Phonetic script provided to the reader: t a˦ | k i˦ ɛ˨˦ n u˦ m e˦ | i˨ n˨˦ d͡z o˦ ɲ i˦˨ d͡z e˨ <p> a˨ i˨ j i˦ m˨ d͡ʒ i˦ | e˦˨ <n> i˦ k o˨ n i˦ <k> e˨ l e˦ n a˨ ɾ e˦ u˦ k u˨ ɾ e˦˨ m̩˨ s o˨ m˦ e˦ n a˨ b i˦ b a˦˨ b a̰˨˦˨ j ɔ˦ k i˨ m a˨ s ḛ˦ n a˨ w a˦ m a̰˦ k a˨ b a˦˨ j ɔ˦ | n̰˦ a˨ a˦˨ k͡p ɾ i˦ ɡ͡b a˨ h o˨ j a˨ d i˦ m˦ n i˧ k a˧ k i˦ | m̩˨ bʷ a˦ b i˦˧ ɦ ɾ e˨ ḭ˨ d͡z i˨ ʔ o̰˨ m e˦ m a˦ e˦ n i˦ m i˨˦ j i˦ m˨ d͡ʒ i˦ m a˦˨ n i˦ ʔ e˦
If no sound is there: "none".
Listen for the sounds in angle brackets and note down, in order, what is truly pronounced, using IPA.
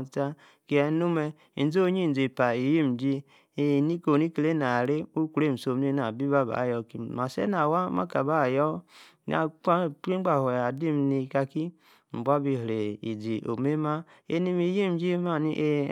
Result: p, n, k

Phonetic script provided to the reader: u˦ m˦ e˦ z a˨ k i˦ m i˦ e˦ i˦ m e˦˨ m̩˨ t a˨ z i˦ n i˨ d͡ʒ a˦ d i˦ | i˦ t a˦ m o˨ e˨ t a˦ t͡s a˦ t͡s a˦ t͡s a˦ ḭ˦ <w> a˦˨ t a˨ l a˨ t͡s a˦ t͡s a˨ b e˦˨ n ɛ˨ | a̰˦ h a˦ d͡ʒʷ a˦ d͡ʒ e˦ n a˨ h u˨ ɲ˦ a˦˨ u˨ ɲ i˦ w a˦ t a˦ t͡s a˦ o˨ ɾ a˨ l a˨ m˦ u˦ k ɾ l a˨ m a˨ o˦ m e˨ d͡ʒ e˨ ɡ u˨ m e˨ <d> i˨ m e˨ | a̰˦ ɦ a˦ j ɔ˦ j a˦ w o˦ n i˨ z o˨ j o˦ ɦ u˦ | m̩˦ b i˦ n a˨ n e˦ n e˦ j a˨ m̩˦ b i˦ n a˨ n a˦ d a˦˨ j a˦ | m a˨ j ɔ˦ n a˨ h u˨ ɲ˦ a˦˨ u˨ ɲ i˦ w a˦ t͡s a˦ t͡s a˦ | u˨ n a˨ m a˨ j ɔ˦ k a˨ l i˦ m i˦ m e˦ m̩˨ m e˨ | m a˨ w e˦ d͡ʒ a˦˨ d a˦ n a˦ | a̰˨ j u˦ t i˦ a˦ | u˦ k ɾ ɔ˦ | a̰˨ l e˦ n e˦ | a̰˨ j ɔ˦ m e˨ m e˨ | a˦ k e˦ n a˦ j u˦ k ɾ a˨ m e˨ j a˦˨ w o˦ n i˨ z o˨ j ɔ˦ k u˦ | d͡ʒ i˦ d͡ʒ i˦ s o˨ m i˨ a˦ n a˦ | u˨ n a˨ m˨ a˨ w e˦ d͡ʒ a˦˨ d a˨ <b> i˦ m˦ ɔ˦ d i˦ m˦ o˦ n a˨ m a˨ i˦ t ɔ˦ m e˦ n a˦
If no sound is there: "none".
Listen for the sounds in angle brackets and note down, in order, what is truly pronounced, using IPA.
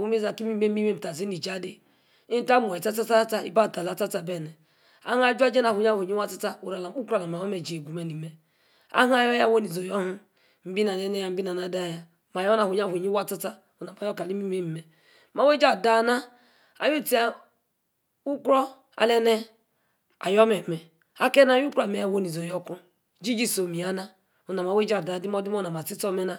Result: b, n, d

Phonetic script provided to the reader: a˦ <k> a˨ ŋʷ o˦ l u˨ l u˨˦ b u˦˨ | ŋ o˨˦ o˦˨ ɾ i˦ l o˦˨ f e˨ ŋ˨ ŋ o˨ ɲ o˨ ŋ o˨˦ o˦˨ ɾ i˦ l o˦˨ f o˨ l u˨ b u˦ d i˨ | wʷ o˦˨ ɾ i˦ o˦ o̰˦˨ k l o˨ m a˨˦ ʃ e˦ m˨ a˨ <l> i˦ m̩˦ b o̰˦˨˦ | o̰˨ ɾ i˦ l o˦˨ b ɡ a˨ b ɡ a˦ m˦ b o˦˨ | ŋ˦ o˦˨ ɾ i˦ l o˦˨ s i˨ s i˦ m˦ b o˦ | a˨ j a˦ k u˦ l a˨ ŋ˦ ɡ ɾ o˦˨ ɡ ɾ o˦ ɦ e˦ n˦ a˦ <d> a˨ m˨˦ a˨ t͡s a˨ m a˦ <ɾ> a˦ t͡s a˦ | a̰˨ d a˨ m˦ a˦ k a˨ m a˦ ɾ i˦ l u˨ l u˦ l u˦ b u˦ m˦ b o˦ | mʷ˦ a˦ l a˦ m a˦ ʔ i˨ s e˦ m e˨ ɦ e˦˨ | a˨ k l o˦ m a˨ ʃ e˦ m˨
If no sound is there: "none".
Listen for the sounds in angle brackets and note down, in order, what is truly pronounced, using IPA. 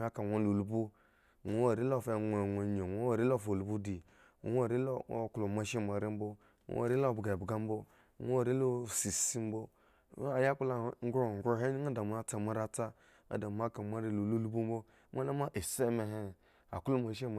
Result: k, ɾ, d, ɾ

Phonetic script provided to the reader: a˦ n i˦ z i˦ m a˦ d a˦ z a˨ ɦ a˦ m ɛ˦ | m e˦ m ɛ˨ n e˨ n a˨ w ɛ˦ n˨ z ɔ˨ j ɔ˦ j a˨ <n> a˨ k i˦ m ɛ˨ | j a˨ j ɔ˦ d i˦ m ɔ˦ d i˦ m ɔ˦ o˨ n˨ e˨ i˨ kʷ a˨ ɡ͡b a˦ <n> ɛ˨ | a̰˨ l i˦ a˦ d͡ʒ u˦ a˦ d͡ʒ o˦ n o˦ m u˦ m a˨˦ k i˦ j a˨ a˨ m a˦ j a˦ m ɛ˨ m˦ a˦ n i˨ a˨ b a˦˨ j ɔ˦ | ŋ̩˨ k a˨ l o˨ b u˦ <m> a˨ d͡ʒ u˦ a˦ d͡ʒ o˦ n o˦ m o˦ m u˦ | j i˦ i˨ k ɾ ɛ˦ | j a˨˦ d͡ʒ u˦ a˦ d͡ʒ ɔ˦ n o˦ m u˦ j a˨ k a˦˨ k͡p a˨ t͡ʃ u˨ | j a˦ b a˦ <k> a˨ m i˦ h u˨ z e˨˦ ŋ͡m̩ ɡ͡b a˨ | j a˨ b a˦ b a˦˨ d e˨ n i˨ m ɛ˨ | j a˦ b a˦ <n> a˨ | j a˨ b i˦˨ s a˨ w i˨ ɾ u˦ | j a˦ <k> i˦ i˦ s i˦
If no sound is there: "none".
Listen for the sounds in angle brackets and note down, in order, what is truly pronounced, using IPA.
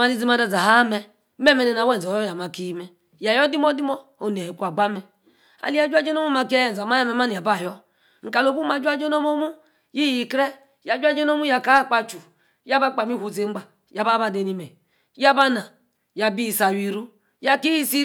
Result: m, m, m, k͡p, n, k

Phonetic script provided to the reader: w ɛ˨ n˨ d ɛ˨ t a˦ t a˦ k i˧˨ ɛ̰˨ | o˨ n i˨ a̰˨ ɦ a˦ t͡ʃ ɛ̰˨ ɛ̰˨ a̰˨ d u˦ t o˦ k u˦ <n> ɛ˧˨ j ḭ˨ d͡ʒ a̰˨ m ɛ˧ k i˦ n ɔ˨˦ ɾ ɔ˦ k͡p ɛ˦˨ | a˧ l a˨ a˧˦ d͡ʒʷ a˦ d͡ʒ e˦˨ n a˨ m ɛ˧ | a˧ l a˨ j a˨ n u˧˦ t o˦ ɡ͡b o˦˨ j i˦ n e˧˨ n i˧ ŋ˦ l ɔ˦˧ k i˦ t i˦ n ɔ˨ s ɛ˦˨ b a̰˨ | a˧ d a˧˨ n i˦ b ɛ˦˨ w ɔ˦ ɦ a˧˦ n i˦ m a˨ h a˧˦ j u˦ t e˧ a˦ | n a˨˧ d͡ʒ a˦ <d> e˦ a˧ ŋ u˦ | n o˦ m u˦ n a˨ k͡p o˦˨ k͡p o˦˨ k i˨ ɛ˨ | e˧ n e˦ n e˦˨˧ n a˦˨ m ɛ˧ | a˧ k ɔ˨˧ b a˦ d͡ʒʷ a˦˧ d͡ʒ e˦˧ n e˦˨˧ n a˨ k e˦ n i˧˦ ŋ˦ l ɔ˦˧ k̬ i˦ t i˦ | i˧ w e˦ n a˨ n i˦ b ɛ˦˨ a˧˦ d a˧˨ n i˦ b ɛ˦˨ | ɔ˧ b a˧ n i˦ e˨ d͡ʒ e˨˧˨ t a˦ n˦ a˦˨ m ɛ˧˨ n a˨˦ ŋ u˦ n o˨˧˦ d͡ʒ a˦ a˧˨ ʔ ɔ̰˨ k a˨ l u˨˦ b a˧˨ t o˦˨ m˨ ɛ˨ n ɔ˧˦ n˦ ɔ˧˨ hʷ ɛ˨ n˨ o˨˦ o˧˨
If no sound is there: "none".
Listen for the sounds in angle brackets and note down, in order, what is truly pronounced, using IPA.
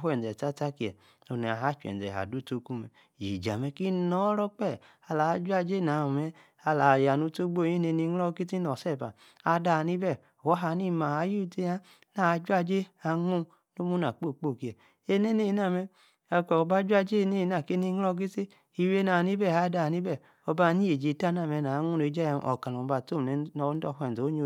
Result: m, d͡ʒ

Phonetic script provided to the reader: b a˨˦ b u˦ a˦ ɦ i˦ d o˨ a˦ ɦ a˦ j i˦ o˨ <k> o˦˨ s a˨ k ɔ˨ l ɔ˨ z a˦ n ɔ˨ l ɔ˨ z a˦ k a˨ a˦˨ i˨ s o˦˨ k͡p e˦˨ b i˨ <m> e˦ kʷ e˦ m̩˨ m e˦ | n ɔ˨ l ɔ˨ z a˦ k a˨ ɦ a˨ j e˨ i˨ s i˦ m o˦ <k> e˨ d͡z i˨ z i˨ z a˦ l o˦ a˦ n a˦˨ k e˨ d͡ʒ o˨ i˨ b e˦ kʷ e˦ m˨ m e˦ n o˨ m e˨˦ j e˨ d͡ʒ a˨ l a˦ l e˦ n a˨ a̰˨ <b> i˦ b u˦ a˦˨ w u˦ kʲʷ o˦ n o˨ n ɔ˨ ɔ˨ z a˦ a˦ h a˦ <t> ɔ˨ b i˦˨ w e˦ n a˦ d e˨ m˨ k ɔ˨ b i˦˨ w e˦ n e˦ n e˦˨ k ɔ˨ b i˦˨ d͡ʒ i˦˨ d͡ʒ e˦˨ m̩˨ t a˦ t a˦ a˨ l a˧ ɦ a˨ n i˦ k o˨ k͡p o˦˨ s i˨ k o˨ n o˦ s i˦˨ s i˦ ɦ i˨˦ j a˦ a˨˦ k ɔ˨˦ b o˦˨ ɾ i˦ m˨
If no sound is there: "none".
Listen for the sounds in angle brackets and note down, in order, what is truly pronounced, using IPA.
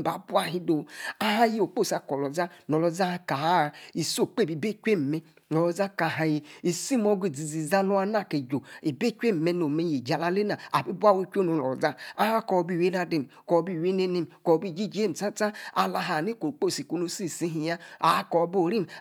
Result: k͡p, b, ɡ, b, k

